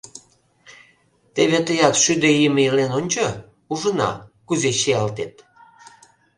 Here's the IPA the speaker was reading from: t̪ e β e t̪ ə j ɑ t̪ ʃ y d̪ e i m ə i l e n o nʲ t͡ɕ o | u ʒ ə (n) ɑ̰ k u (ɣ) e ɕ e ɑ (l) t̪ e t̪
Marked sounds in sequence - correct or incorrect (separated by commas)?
correct, incorrect, correct